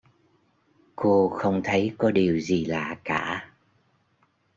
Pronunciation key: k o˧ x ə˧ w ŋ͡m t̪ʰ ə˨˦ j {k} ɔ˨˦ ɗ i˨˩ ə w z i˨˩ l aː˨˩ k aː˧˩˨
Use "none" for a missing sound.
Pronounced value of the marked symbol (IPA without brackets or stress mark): k